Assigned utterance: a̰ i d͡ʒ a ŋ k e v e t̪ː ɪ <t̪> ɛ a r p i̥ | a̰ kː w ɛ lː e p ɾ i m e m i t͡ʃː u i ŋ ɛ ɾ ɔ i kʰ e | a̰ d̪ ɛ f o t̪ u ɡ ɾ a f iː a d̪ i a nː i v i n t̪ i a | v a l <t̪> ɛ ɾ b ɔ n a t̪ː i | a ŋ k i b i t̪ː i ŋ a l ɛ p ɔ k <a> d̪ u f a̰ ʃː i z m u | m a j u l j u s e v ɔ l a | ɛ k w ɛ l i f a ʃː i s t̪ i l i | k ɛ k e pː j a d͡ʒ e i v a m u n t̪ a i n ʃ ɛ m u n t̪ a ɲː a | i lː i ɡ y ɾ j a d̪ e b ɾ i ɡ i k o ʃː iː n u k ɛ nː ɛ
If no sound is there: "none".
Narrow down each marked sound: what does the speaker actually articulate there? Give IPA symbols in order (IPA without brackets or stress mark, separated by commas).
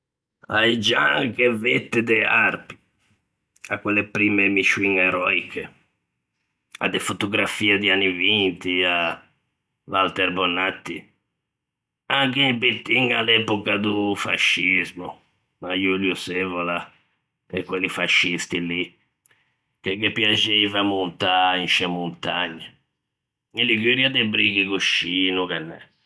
d̪, t̪, a